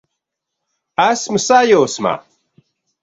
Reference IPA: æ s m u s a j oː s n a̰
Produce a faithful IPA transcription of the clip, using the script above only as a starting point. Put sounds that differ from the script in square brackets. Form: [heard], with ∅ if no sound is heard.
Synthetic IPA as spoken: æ s m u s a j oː s [m] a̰